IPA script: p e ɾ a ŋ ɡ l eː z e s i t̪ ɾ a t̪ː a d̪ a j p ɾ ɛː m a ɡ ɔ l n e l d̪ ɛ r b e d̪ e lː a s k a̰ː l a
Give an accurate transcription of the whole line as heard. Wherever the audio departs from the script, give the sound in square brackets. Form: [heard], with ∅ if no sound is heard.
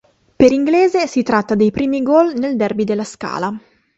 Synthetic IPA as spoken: p e ɾ [i] ŋ ɡ l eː z e s i t̪ ɾ a t̪ː a d̪ [e] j p ɾ [iː] m [i] ɡ ɔ l n e l d̪ ɛ r b [i] d̪ e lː a s k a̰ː l a